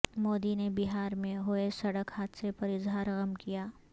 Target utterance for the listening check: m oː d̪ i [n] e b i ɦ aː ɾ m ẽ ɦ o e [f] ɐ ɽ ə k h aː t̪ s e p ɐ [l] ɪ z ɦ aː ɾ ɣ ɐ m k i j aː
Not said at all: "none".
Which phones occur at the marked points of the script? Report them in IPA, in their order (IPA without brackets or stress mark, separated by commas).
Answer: n, s, ɾ